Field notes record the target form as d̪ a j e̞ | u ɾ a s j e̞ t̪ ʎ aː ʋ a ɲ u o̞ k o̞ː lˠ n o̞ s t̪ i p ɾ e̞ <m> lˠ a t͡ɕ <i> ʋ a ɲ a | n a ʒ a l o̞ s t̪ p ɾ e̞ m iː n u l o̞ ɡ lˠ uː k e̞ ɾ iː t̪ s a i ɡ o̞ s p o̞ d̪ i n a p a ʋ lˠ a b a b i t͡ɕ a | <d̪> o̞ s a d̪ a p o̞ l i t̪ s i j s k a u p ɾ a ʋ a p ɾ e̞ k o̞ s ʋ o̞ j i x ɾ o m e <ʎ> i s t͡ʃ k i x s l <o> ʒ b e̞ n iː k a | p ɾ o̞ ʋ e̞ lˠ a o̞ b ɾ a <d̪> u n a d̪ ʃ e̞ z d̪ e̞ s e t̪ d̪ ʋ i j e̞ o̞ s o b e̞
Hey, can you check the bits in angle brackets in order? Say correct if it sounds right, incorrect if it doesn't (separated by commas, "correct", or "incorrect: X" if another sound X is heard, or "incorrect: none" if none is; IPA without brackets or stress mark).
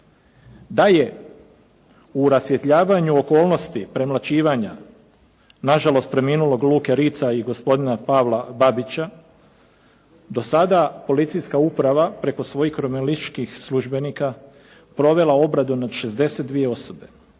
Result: correct, incorrect: iː, correct, incorrect: l, incorrect: u, correct